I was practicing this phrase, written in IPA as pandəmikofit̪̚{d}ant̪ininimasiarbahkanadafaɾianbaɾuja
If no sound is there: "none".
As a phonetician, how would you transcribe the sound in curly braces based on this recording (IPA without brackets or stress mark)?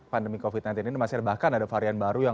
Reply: n